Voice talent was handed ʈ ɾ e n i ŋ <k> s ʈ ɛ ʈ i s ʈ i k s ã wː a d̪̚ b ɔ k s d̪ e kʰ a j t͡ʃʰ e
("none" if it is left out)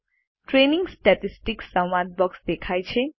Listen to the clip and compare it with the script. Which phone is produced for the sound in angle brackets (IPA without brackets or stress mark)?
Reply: ɡ